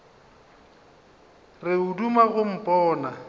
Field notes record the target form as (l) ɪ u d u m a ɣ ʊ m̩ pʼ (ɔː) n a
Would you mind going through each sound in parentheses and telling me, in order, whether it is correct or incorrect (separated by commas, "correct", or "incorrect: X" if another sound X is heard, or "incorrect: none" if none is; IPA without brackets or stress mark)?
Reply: incorrect: r, correct